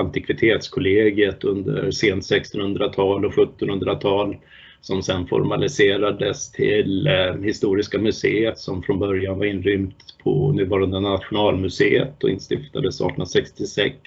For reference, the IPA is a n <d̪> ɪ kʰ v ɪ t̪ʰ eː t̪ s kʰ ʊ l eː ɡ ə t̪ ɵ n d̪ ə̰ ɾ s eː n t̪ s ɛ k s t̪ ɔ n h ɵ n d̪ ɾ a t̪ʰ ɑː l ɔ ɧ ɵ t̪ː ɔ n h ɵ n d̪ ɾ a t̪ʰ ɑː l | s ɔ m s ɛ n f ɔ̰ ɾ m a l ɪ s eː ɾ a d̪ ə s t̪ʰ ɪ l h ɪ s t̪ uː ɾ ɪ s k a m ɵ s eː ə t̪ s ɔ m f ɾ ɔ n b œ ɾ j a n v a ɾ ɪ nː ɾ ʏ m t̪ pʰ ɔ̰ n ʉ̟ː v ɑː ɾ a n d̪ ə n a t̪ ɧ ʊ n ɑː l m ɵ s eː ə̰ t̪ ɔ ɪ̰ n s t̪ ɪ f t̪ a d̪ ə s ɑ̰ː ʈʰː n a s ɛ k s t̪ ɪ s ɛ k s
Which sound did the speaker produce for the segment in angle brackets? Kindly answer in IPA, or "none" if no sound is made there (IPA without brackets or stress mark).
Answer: t̪